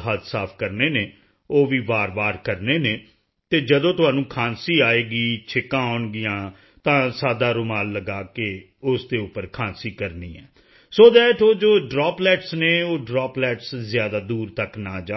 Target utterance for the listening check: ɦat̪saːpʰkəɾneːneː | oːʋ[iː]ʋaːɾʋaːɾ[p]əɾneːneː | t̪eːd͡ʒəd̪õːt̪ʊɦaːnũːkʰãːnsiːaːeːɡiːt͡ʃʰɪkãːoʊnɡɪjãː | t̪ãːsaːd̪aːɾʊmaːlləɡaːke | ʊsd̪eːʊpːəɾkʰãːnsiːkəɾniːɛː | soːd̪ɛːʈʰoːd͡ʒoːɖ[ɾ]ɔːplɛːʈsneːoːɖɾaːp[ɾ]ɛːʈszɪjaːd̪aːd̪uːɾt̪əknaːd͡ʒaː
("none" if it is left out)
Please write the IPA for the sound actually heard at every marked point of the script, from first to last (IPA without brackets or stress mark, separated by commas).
iː, k, ɾ, l